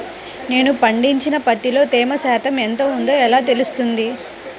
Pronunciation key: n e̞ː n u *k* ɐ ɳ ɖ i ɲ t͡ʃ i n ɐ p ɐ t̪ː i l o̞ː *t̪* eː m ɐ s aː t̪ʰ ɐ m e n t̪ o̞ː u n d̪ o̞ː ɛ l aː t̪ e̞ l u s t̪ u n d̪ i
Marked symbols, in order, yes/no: no, yes

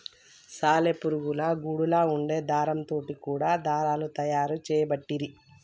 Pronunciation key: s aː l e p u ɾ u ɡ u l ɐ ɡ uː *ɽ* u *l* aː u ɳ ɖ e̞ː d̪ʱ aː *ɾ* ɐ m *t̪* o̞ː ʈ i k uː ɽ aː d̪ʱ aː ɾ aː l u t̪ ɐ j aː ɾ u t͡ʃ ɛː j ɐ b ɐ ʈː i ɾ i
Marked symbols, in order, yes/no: yes, yes, yes, yes

